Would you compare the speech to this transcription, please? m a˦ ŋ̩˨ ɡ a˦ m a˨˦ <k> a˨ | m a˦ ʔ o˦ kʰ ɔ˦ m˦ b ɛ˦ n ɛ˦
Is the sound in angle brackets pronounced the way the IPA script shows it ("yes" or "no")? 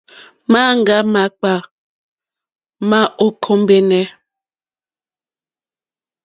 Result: no